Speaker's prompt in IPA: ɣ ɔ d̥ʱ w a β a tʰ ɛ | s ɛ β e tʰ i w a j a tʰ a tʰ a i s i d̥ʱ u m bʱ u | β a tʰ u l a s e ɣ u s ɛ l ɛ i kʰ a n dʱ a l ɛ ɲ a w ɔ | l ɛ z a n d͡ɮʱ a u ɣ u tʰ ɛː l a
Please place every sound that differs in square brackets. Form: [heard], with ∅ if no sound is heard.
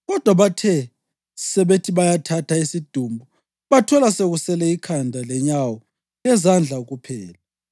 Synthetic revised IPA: ɣ ɔ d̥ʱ w a β a tʰ ɛ | s ɛ β e tʰ i [β] a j a tʰ a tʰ a i s i d̥ʱ u m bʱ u | β a tʰ [ɔ] l a s e ɣ u s ɛ l ɛ i kʰ a n dʱ a l ɛ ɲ a w ɔ | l ɛ z a n d͡ɮʱ a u ɣ u [pʰ] ɛː l a